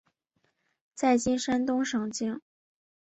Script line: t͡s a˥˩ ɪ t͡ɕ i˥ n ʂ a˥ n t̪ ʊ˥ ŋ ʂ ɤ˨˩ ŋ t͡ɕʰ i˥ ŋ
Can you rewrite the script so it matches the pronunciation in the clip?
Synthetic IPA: t͡s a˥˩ ɪ t͡ɕ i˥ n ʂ a˥ n t̪ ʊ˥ ŋ ʂ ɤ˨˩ ŋ t͡ɕ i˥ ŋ

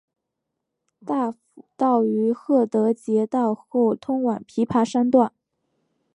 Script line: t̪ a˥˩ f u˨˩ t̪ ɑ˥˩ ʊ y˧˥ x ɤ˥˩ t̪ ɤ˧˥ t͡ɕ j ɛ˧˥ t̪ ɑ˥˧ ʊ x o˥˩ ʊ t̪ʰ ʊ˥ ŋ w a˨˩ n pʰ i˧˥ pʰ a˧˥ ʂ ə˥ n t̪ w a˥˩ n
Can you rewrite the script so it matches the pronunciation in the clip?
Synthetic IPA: t̪ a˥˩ f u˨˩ t̪ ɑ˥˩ ʊ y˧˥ x ɤ˥˩ t̪ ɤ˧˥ t͡ɕ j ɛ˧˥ t̪ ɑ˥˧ ʊ x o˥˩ ʊ t̪ʰ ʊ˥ ŋ w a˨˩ n pʰ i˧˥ pʰ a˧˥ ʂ a˥ n t̪ w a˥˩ n

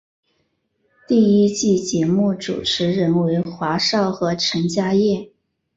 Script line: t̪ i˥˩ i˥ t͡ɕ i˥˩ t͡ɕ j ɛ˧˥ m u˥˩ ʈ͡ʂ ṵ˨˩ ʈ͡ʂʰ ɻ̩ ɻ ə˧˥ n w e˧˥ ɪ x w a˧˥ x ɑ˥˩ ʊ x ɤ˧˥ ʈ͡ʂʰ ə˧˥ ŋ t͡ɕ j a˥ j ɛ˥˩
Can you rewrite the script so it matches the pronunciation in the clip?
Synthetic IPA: t̪ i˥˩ i˥ t͡ɕ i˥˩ t͡ɕ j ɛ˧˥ m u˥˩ ʈ͡ʂ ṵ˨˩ ʈ͡ʂʰ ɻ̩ ɻ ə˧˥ n w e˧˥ ɪ x w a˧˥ ʂ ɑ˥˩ ʊ x ɤ˧˥ ʈ͡ʂʰ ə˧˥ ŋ t͡ɕ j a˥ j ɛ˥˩

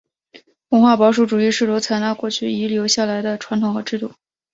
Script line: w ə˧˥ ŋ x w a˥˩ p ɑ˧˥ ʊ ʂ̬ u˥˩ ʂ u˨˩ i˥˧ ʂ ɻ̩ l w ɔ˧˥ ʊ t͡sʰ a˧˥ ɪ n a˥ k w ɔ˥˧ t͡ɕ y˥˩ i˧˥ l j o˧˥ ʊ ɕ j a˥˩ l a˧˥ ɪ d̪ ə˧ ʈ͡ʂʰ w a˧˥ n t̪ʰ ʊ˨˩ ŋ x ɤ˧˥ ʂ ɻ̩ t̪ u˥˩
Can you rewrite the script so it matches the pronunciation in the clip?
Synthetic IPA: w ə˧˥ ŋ x w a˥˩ p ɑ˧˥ ʊ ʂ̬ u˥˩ ʈ͡ʂ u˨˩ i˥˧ ʂ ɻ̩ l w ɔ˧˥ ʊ t͡sʰ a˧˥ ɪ n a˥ k w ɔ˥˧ t͡ɕʰ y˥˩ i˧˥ l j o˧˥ ʊ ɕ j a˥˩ l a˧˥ ɪ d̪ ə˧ ʈ͡ʂʰ w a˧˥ n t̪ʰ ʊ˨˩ ŋ x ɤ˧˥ ʈ͡ʂ ɻ̩ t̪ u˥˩

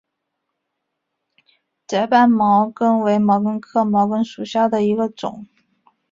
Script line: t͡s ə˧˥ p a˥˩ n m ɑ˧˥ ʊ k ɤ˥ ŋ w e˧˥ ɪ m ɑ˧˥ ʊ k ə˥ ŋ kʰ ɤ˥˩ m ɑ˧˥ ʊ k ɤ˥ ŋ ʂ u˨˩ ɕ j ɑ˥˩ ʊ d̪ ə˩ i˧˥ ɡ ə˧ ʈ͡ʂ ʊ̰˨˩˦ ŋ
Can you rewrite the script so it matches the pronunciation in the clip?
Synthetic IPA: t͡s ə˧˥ p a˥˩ n m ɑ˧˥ ʊ k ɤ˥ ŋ w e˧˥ ɪ m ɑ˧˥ ʊ k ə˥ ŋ kʰ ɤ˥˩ m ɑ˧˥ ʊ k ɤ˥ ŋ ʂ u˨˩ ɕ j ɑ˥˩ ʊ d̪ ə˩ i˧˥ ɡ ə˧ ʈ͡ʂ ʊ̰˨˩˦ ŋ

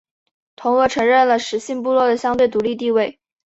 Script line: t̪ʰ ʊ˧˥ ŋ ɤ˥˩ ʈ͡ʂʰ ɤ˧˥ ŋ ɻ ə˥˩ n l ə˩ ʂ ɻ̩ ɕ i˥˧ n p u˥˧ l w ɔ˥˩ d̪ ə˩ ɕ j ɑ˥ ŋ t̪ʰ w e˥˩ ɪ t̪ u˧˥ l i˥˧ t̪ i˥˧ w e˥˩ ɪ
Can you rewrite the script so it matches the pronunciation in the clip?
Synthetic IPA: t̪ʰ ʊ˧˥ ŋ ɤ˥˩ ʈ͡ʂʰ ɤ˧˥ ŋ ɻ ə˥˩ n l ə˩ ʂ ɻ̩ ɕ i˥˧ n p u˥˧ l w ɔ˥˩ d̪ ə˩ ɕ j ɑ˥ ŋ t̪ w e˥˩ ɪ t̪ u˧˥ l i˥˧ t̪ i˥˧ w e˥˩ ɪ

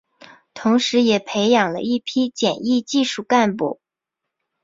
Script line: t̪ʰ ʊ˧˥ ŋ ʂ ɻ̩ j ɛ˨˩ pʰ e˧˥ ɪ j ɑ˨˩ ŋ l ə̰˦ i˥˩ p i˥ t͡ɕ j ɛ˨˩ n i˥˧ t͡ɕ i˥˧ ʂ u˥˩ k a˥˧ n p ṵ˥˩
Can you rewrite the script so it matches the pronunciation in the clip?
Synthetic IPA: t̪ʰ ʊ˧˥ ŋ ʂ ɻ̩ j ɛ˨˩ pʰ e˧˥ ɪ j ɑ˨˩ ŋ l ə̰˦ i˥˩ pʰ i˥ t͡ɕ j ɛ˨˩ n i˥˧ t͡ɕ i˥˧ ʂ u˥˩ k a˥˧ n p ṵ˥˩

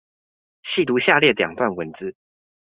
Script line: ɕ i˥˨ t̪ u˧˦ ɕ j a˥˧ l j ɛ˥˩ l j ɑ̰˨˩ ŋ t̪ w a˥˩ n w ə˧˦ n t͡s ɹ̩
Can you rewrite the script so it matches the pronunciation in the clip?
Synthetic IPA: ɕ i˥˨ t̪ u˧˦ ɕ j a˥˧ l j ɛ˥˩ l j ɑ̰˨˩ ŋ t̪ w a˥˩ n w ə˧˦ n t͡s ɹ̩

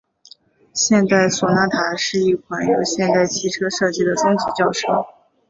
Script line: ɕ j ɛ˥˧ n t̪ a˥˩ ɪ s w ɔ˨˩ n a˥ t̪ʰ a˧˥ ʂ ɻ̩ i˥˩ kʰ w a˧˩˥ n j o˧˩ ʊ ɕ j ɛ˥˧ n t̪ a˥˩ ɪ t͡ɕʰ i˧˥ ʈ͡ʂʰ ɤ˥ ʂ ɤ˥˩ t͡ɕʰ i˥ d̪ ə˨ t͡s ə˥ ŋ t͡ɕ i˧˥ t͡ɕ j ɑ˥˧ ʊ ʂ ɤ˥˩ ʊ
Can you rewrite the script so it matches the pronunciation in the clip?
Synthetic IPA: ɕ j ɛ˥˧ n t̪ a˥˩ ɪ s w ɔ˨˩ n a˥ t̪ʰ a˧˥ ʂ ɻ̩ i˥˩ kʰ w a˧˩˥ n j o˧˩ ʊ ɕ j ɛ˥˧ n t̪ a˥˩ ɪ t͡ɕʰ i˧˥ ʈ͡ʂʰ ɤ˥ ʂ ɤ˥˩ t͡ɕ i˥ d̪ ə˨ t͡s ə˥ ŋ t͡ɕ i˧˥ t͡ɕ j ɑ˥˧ ʊ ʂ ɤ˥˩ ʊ

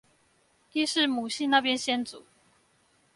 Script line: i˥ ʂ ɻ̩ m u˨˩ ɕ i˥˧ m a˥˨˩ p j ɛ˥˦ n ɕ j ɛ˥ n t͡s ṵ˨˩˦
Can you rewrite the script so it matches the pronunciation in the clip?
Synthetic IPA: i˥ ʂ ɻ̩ m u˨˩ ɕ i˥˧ n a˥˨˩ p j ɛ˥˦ n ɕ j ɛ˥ n t͡s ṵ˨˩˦

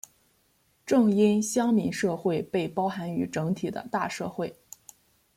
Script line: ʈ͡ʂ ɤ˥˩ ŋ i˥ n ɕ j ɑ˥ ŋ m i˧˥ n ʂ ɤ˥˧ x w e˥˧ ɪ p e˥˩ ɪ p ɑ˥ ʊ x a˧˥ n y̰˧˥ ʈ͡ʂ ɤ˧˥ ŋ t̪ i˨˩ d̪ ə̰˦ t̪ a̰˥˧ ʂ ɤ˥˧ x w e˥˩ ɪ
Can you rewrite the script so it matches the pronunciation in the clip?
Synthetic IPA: ʈ͡ʂ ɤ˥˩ ŋ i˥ n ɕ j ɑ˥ ŋ m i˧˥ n ʂ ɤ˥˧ x w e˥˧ ɪ p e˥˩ ɪ p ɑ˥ ʊ x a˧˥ n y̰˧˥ ʈ͡ʂ ɤ˧˥ ŋ t̪ʰ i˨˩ d̪ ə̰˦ t̪ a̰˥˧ ʂ ɤ˥˧ x w e˥˩ ɪ

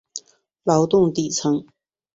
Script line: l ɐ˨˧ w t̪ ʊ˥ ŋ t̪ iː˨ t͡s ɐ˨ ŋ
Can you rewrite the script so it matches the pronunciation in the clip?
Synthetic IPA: l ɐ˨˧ w t̪ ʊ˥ ŋ t̪ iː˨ t͡sʰ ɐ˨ ŋ

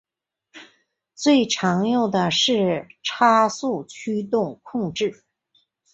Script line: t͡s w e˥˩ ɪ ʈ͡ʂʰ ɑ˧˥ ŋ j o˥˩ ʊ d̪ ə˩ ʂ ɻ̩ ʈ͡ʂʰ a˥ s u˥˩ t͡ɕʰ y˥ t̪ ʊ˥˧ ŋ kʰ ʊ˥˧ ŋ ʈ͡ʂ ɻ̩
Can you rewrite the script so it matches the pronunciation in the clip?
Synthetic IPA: t͡s w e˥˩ ɪ ʈ͡ʂʰ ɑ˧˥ ŋ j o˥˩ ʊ d̪ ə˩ ʂ ɻ̩ ʈ͡ʂʰ a˥ s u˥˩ t͡ɕʰ y˥ t̪ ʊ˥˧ ŋ kʰ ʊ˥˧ ŋ ʈ͡ʂ ɻ̩

